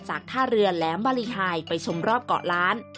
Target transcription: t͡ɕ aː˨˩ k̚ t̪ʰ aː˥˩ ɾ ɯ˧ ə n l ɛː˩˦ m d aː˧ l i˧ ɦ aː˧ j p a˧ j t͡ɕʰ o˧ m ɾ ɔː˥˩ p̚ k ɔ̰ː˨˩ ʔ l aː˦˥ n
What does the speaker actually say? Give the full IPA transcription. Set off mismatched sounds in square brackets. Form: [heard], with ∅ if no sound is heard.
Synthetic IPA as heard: t͡ɕ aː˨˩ k̚ t̪ʰ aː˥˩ ɾ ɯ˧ ə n l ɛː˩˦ m [b] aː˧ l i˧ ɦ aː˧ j p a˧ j t͡ɕʰ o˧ m ɾ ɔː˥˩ p̚ k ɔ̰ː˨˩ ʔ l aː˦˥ n